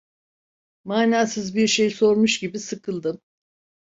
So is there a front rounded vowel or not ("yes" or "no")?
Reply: no